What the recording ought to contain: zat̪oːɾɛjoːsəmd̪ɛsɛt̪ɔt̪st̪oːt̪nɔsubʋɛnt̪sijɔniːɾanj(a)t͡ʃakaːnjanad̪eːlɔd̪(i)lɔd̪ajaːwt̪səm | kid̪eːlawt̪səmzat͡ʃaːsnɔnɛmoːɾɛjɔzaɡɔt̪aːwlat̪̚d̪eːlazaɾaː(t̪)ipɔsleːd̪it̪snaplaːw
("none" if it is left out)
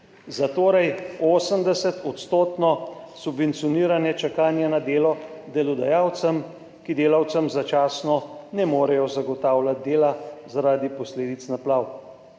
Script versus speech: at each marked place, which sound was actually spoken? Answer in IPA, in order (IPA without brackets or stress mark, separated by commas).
ɛ, ɛ, d̪